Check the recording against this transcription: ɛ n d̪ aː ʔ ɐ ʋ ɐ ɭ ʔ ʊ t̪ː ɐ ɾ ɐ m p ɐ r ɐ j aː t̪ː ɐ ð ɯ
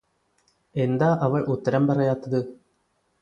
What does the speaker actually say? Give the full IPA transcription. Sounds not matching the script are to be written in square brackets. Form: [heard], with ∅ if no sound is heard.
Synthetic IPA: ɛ n d̪ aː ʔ ɐ ʋ ɐ ɭ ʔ ʊ t̪ː ɐ ɾ ɐ m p ɐ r ɐ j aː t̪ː ɐ ð ɯ

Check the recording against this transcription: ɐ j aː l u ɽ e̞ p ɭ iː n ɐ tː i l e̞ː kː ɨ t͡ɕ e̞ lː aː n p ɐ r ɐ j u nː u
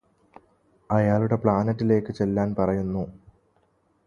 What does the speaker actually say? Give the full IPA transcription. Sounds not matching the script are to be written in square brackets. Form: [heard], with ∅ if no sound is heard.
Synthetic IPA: ɐ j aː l u ɽ e̞ p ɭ [aː] n ɐ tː i l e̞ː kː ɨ t͡ɕ e̞ lː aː n p ɐ r ɐ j u nː u

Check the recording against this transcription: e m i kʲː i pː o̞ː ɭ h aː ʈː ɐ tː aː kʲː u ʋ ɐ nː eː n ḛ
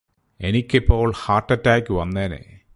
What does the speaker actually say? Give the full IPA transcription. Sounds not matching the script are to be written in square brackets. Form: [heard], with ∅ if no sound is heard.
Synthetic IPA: e [n] i kʲː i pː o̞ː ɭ h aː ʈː ɐ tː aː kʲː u ʋ ɐ nː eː n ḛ

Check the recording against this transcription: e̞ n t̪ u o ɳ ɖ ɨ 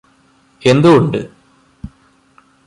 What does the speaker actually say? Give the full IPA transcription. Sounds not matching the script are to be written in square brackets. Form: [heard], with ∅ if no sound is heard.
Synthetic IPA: e̞ n [d̪] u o ɳ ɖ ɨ

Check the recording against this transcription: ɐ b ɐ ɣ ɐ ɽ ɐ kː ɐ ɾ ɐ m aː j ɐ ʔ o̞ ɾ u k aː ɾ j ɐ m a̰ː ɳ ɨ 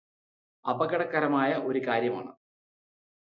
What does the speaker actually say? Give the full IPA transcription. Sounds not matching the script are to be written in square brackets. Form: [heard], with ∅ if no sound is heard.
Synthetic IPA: ɐ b ɐ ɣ ɐ ɽ ɐ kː ɐ ɾ ɐ m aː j ɐ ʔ o̞ ɾ u k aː ɾ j ɐ m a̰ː ɳ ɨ

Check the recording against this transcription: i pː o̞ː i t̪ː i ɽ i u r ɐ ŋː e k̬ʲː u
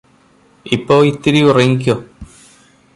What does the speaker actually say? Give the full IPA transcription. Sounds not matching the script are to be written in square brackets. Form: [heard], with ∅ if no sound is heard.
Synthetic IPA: i pː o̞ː i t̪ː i [ɾ] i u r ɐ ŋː [i] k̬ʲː [o]

